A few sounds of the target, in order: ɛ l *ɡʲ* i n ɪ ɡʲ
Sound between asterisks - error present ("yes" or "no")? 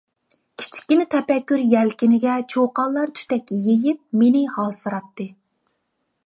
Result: yes